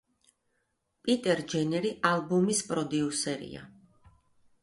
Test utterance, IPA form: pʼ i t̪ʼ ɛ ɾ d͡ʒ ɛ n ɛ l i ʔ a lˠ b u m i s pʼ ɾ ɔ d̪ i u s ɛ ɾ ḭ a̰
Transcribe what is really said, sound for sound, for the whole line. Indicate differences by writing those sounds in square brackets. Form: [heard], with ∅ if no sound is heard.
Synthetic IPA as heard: pʼ i t̪ʼ ɛ ɾ d͡ʒ ɛ n ɛ [ɾ] i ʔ a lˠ b u m i s pʼ ɾ ɔ d̪ i u s ɛ ɾ ḭ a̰